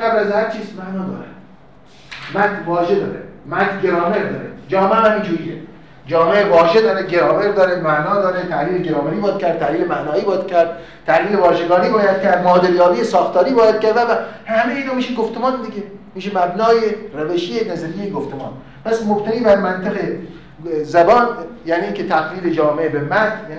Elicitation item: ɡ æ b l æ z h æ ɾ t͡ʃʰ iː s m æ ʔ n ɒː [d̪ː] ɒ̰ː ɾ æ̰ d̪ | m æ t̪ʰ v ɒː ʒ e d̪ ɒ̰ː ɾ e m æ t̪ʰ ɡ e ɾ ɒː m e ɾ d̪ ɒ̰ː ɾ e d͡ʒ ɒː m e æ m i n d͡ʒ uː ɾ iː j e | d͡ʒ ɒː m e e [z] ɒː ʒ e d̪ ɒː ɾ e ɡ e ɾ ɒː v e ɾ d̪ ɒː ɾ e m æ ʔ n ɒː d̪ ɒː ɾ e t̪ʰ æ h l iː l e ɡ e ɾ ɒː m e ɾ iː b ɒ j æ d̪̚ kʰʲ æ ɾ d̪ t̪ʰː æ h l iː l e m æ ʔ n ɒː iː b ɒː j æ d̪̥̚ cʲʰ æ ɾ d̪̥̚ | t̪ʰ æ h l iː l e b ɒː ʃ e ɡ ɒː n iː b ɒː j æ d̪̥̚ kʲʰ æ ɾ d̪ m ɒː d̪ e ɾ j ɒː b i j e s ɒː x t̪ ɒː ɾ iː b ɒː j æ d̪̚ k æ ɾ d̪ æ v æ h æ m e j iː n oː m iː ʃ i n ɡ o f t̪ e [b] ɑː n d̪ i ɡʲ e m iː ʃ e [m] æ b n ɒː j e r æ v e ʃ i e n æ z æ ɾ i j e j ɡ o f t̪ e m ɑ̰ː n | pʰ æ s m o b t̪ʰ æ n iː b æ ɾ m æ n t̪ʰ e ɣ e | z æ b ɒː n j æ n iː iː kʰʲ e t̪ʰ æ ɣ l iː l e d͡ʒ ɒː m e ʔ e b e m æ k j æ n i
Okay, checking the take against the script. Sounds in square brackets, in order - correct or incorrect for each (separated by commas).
incorrect, incorrect, incorrect, correct